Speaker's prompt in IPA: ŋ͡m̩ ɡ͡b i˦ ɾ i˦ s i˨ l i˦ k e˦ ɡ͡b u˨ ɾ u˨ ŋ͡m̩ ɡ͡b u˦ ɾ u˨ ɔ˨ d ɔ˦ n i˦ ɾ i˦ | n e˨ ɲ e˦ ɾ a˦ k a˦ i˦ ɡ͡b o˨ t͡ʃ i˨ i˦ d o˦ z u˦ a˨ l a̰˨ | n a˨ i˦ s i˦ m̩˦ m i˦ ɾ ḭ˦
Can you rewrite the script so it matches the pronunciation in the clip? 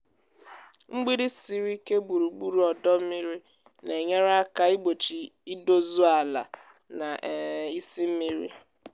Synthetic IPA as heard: ŋ͡m̩ ɡ͡b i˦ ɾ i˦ s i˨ ɾ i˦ k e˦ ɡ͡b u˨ ɾ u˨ ɡ͡b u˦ ɾ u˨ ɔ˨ d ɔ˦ m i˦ ɾ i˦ | n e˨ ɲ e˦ ɾ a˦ k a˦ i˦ ɡ͡b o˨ t͡ʃ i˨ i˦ d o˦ z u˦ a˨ l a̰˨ | n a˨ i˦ s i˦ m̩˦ m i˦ ɾ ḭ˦

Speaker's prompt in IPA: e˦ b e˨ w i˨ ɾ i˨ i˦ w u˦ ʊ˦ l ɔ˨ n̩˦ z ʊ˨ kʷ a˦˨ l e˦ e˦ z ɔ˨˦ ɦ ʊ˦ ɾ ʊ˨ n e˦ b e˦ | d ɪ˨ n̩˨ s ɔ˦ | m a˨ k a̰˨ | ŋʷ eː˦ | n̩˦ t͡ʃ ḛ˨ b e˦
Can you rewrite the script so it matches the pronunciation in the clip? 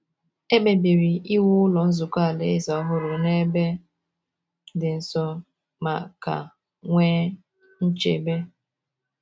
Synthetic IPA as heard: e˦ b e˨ b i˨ ɾ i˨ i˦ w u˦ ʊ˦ l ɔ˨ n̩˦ z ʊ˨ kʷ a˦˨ l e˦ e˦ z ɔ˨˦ ɦ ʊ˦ ɾ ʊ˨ n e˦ b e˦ | d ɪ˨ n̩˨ s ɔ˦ | m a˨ k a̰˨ | ŋʷ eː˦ | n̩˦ t͡ʃ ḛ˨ b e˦

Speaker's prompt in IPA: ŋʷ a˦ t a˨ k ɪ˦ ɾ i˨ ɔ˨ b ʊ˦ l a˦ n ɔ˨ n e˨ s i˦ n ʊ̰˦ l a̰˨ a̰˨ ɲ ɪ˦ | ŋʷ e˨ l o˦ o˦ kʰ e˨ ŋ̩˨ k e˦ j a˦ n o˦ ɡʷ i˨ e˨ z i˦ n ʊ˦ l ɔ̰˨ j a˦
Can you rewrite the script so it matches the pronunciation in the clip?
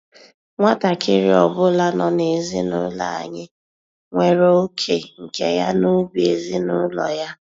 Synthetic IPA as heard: ŋʷ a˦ t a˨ k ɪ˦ ɾ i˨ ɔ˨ b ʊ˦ l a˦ n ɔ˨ n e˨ z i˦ n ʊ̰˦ l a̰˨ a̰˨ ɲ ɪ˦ | ŋʷ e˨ ɾ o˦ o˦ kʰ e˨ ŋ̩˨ k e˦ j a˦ n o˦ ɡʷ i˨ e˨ z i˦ n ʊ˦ l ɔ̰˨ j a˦

